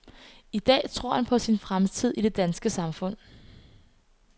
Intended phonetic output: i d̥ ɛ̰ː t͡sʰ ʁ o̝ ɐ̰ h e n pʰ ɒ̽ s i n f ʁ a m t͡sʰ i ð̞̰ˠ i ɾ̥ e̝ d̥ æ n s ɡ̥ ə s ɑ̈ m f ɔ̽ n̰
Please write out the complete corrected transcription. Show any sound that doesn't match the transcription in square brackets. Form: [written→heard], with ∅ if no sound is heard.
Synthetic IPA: i d̥ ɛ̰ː t͡sʰ ʁ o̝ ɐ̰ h [e→æ] n pʰ ɒ̽ s i n f ʁ a m t͡sʰ i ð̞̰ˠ i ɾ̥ e̝ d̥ æ n s ɡ̥ ə s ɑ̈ m f ɔ̽ n̰